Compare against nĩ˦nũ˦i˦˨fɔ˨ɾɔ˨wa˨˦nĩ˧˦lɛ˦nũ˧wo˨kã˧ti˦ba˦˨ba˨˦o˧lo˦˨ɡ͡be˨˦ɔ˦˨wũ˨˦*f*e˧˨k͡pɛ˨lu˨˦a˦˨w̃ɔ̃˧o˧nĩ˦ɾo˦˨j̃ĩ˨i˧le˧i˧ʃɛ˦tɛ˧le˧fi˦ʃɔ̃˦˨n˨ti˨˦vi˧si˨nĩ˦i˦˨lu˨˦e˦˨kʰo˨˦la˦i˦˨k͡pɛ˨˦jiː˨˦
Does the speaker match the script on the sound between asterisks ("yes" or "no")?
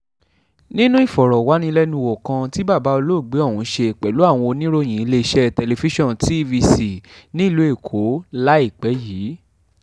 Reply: no